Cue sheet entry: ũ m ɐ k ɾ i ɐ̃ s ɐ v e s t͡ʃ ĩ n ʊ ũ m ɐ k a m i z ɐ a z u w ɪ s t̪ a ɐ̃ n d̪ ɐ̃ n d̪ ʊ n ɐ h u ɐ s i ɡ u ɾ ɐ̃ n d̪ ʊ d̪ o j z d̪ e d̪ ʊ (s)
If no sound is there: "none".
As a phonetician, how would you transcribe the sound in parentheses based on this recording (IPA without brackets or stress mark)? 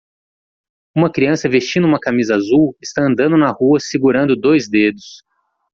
s